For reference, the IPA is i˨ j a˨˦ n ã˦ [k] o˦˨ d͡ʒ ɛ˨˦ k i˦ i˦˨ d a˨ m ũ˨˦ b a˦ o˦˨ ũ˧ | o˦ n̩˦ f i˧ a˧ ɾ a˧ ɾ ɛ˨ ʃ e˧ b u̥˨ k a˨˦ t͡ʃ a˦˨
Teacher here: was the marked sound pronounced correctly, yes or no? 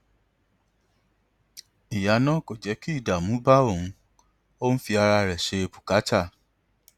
yes